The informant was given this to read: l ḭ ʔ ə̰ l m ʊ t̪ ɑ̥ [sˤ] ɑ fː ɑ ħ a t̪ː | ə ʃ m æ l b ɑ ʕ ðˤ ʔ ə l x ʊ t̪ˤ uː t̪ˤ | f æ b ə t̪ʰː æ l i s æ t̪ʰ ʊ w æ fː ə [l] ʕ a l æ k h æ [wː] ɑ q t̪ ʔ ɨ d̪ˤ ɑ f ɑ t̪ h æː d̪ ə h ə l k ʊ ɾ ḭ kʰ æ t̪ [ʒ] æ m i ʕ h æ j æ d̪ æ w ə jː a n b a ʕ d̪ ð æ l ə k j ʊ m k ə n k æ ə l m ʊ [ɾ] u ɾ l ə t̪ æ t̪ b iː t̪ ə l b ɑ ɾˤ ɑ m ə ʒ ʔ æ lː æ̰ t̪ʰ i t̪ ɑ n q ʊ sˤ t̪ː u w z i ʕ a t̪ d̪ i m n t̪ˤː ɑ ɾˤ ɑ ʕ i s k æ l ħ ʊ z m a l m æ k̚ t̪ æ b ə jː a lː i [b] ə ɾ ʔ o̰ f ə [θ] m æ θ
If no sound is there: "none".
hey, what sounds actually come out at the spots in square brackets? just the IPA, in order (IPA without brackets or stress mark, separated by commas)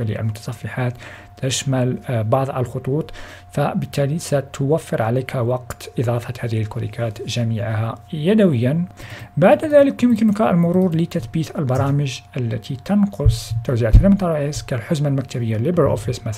sˤ, ɾ, w, ʒ, ɾ, b, s